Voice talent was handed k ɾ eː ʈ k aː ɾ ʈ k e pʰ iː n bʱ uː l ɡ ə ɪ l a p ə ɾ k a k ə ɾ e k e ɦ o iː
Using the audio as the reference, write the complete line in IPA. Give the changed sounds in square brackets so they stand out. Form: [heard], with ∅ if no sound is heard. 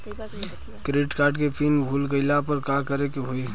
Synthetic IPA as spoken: k ɾ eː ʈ k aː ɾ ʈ k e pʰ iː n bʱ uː l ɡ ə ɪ l a p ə ɾ k a k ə ɾ e k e ɦ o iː

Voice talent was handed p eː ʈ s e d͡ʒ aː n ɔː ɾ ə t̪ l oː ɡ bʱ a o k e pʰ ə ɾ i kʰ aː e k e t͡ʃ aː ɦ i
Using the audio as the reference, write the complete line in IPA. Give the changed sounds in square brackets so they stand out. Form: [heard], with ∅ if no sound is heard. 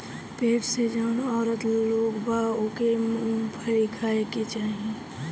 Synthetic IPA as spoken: p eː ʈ s e d͡ʒ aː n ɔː ɾ ə t̪ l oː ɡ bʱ a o k e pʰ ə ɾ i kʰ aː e k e t͡ʃ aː ɦ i

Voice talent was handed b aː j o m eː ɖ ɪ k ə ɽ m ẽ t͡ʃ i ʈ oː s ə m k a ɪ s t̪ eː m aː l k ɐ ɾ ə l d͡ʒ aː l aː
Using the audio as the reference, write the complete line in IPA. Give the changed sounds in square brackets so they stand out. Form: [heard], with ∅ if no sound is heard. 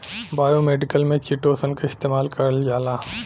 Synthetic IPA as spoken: b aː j o m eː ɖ ɪ k ə [l] m ẽ t͡ʃ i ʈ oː s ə [n] k a ɪ s t̪ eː m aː l k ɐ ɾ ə l d͡ʒ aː l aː

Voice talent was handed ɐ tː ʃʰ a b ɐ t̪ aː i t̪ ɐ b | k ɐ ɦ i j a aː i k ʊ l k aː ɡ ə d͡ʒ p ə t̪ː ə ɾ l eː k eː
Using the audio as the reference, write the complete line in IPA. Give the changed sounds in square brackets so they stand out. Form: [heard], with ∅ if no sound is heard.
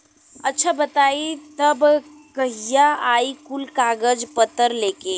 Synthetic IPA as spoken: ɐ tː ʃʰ a b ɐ t̪ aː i t̪ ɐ b | k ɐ ɦ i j a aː i k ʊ l k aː ɡ ə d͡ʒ p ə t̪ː ə ɾ l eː k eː

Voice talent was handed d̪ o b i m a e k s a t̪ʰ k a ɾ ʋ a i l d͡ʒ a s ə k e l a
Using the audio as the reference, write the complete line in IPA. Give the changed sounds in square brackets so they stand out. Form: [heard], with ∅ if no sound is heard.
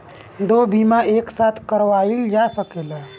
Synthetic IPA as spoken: d̪ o b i m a e k s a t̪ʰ k [ə] ɾ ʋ a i l d͡ʒ a s ə k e l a

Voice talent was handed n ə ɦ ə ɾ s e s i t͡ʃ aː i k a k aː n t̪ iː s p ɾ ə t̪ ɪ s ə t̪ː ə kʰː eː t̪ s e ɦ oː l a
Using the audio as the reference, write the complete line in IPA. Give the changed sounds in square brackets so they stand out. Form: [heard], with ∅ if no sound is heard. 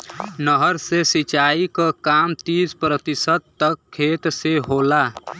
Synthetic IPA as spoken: n ə ɦ ə ɾ s e s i t͡ʃ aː i k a k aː [m] t̪ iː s p ɾ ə t̪ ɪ s ə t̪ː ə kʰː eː t̪ s e ɦ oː l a

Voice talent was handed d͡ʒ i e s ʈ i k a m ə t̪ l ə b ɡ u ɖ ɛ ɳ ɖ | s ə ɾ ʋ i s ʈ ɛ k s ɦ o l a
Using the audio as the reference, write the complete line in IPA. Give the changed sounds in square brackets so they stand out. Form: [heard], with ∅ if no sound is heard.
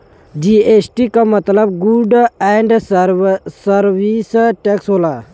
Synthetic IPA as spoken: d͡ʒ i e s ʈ i k a m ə t̪ l ə b ɡ u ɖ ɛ ɳ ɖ | s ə ɾ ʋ i s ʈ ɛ k s ɦ o l a

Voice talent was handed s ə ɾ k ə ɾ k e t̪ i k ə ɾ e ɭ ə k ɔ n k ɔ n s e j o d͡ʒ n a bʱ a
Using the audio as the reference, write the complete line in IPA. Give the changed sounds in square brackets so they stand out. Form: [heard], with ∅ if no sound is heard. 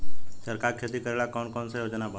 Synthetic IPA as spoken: s ə ɾ k [a] ɾ [kʰ] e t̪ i k ə ɾ e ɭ [a] k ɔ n k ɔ n s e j o d͡ʒ n a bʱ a

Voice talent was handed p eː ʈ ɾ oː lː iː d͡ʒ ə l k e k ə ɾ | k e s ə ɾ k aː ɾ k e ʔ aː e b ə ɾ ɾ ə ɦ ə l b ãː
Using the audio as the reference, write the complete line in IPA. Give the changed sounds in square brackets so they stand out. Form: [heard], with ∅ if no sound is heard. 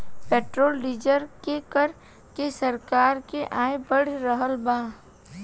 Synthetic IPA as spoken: p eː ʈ ɾ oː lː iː d͡ʒ ə [ɾ] k e k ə ɾ | k e s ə ɾ k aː ɾ k e ʔ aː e b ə [ɽ] ɾ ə ɦ ə l b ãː

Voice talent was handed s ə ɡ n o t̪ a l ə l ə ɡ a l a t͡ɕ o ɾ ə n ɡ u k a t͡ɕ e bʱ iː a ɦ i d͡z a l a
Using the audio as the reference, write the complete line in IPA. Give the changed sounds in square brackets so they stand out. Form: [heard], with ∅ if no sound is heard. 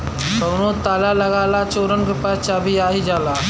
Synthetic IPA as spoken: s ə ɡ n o t̪ a l [a] l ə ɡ a l a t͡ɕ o ɾ ə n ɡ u [p] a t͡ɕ [a] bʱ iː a ɦ i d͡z a l a

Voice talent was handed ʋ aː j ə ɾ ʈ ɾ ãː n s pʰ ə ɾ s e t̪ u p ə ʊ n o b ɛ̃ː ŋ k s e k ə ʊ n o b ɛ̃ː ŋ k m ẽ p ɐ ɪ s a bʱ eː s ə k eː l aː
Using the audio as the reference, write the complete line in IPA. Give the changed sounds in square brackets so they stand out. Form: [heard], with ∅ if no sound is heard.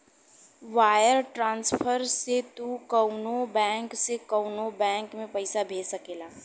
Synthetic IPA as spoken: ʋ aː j ə ɾ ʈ ɾ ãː n s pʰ ə ɾ s e t̪ u [k] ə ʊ n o b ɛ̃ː ŋ k s e k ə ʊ n o b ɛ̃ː ŋ k m ẽ p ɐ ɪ s a bʱ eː s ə k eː l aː

